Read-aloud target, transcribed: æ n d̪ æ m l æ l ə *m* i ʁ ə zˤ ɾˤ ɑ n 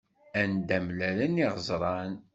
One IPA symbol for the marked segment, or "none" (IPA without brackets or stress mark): n